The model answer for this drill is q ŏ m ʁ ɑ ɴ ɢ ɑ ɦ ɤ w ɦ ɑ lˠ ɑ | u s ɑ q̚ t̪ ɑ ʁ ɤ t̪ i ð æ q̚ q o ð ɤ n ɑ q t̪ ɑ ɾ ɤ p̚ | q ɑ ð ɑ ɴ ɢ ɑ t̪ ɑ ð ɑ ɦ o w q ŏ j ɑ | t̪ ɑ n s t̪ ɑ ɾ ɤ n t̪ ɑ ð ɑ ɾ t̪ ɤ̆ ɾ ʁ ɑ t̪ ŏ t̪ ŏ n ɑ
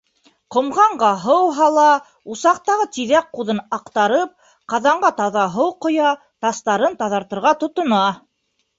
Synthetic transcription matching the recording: q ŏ m ʁ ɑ ɴ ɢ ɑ ɦ ɤ w ɦ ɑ lˠ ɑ | u s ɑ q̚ t̪ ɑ ʁ ɤ t̪ i ð æ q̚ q u ð ɤ n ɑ q t̪ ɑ ɾ ɤ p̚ | q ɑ ð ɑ ɴ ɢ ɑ t̪ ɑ ð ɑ ɦ ɤ w q ŏ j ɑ | t̪ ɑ s t̪ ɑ ɾ ɤ n t̪ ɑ ð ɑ ɾ t̪ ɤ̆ ɾ ʁ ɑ t̪ ŏ t̪ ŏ n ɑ

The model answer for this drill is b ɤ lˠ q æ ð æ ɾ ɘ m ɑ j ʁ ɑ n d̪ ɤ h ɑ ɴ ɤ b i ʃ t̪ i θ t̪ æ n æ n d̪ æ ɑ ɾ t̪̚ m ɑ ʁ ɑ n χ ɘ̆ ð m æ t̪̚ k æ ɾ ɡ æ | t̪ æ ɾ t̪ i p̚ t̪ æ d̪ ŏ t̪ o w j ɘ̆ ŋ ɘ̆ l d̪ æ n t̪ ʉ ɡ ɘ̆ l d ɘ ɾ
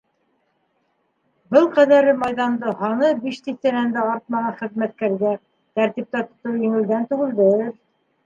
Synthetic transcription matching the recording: b ɤ lˠ q æ ð æ ɾ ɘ m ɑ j ð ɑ n d̪ ɤ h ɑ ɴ ɤ b i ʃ t̪ i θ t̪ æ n æ n d̪ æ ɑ ɾ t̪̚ m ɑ ʁ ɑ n χ ɘ̆ ð m æ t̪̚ k æ ɾ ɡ æ | t̪ æ ɾ t̪ i p̚ t̪ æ t̪ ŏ t̪ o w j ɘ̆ ŋ ɘ̆ l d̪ æ n t̪ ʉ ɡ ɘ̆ l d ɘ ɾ

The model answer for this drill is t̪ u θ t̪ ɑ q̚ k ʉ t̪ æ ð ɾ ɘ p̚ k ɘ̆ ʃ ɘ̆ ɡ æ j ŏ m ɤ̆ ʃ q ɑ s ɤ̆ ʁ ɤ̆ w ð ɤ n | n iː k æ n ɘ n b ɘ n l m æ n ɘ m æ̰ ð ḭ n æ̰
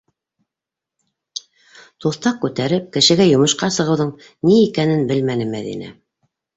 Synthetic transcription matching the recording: t̪ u θ t̪ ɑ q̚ k ʉ t̪ æ ɾ ɘ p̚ k ɘ̆ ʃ ɘ̆ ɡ æ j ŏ m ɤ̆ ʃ q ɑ s ɤ̆ ʁ ɤ̆ w ð ɤ ɴ | n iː k æ n ɘ n b ɘ l m æ n ɘ m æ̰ ð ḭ n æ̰

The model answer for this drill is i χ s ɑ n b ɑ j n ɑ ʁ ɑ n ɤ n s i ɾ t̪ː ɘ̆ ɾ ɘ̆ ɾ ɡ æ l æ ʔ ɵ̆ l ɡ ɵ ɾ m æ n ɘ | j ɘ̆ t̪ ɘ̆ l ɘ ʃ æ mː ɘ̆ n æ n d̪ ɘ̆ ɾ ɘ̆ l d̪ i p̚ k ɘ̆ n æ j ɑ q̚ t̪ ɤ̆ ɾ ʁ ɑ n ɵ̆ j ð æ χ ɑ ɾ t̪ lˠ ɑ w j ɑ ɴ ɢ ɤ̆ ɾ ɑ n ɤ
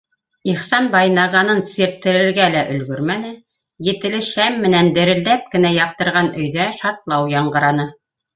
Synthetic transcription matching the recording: i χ s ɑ n b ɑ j n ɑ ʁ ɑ n ɤ n s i ɾ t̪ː ɘ̆ ɾ ɘ̆ ɾ ɡ æ l æ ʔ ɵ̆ l ɡ ɵ ɾ m æ n ɘ | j ɘ̆ t̪ ɘ̆ l ɘ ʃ æ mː ɘ̆ n æ n d̪ ɘ̆ ɾ ɘ̆ l d̪ æ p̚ k ɘ̆ n æ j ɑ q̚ t̪ ɤ̆ ɾ ʁ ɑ n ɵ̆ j ð æ ʃ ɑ ɾ t̪ lˠ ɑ w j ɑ ɴ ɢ ɤ̆ ɾ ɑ n ɤ

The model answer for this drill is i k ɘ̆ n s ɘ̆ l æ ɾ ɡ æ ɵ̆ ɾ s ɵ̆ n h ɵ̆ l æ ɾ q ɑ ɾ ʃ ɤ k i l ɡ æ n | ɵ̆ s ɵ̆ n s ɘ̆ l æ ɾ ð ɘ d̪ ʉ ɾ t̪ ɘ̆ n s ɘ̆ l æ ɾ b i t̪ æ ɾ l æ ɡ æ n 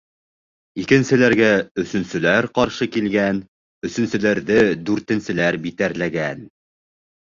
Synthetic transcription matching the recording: i k ɘ̆ n s ɘ̆ l æ ɾ ɡ æ ɵ̆ s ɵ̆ n s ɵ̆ l æ ɾ q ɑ ɾ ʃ ɤ k i l ɡ æ n | ɵ̆ s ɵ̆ n s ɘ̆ l æ ɾ ð ɘ d̪ ʉ ɾ t̪ ɘ̆ n s ɘ̆ l æ ɾ b i t̪ æ ɾ l æ ɡ æ n

